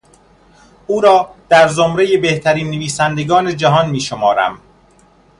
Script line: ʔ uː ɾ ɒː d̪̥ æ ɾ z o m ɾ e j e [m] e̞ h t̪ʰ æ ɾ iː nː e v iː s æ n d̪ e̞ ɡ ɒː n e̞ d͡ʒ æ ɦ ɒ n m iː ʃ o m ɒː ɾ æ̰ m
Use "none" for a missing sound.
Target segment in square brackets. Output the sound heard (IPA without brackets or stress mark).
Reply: b